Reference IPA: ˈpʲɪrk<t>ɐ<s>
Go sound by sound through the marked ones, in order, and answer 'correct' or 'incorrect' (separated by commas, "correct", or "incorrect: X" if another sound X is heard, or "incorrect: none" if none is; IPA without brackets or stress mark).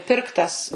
correct, correct